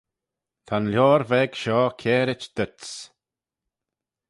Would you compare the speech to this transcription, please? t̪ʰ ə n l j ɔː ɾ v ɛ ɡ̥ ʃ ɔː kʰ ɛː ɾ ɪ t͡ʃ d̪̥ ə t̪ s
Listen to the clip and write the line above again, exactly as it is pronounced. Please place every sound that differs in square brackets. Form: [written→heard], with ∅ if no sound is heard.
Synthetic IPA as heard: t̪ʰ [ə→a] n l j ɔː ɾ v ɛ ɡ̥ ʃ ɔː kʰ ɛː ɾ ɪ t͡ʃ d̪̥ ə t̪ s